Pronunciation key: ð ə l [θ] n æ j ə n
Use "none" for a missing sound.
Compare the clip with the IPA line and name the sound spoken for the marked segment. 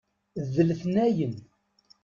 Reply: θ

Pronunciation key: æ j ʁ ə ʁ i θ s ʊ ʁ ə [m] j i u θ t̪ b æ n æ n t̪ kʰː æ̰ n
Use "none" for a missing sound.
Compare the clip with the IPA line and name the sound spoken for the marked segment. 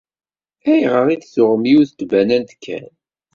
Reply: m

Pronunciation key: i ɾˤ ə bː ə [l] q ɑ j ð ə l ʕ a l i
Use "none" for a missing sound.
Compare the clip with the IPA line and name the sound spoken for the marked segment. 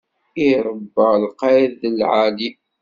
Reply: l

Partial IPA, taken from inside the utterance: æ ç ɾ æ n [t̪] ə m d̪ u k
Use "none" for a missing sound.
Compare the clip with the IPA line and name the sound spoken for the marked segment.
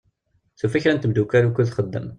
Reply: t̪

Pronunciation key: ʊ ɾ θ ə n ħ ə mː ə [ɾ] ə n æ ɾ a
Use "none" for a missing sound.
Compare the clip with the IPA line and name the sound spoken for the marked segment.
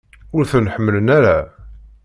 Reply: l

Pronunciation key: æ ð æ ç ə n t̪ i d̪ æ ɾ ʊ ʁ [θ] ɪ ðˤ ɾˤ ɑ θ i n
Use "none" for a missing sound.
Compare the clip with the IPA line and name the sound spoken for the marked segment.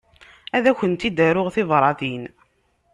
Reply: θ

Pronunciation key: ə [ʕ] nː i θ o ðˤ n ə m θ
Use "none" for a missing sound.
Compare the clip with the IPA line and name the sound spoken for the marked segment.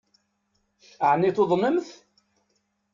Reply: ʕ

